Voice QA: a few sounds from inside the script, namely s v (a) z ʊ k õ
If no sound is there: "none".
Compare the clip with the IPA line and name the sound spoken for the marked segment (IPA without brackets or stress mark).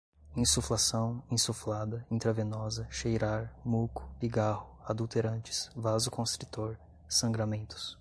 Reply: a